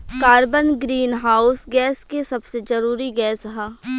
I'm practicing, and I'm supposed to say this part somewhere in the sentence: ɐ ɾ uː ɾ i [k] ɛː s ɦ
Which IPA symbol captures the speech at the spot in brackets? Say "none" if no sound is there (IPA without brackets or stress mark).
ɡ